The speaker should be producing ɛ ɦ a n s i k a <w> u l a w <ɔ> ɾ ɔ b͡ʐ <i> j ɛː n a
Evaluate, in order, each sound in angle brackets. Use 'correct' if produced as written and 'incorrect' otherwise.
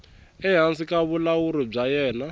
incorrect, incorrect, incorrect

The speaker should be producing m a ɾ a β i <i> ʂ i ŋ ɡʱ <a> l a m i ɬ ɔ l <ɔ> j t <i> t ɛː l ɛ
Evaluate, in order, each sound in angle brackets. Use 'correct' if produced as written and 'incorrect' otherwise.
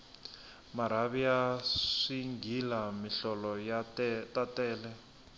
incorrect, incorrect, correct, incorrect

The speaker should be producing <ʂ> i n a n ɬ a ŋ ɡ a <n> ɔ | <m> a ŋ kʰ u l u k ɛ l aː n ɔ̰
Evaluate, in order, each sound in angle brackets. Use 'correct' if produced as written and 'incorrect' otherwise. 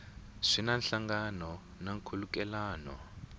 correct, correct, incorrect

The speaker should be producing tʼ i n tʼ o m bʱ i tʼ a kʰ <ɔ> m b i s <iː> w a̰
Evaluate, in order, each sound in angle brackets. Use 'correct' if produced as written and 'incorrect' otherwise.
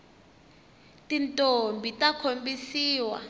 incorrect, correct

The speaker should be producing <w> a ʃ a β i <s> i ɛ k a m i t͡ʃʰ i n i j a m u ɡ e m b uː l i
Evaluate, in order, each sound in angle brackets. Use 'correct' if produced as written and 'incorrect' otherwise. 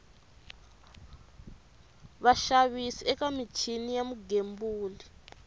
incorrect, correct

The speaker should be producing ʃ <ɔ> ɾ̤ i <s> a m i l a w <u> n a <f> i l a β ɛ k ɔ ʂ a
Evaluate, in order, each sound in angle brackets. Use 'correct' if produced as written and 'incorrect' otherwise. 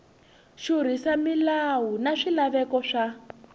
incorrect, correct, correct, incorrect

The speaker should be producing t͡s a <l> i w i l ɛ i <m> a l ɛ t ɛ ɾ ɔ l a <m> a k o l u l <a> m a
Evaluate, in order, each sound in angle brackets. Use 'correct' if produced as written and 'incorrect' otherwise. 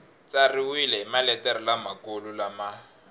incorrect, correct, correct, correct

